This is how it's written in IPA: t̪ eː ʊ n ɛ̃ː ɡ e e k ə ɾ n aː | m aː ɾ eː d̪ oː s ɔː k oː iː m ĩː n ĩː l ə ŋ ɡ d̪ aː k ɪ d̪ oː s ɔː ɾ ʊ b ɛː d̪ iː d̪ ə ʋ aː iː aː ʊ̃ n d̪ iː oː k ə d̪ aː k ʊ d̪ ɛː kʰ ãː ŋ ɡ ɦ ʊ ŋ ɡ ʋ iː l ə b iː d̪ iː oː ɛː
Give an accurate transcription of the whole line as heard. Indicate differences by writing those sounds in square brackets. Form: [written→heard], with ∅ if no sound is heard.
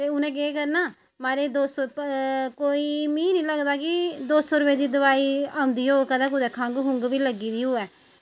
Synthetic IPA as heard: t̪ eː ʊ n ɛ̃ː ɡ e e k ə ɾ n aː | m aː ɾ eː d̪ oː s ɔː k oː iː m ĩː n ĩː l ə [ŋ→∅] ɡ d̪ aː k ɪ d̪ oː s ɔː ɾ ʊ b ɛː d̪ iː d̪ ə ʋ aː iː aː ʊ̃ n d̪ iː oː k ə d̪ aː k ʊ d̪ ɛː kʰ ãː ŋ ɡ ɦ ʊ ŋ ɡ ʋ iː l ə [b→ɡ] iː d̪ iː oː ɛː